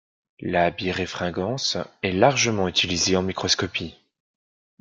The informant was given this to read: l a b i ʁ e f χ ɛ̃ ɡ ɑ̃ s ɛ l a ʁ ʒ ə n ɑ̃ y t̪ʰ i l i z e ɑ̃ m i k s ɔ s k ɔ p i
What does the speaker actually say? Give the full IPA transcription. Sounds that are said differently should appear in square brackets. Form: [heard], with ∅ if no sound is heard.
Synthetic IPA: l a b i ʁ e f χ ɛ̃ ɡ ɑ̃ s ɛ l a ʁ ʒ ə [m] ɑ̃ y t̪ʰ i l i z e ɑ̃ m i k [χ] ɔ s k ɔ p i